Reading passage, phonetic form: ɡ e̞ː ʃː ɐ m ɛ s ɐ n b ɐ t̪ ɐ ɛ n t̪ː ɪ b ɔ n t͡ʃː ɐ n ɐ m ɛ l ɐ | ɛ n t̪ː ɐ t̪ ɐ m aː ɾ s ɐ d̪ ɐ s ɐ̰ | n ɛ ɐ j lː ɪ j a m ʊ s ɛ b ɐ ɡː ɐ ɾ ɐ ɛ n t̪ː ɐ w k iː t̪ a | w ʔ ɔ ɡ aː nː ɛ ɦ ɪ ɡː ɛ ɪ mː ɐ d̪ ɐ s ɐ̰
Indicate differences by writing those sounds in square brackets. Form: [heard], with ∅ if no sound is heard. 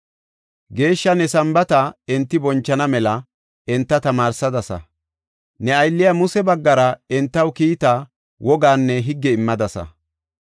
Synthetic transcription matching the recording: ɡ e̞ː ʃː ɐ [n] ɛ s ɐ [m] b ɐ t̪ ɐ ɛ n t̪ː ɪ b ɔ n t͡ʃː ɐ n ɐ m ɛ l ɐ | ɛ n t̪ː ɐ t̪ ɐ m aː ɾ s ɐ d̪ ɐ s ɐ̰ | n ɛ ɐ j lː ɪ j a m ʊ s ɛ b ɐ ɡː ɐ ɾ ɐ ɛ n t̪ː ɐ w k iː t̪ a | w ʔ ɔ ɡ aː nː ɛ ɦ ɪ ɡː ɛ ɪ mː ɐ d̪ ɐ s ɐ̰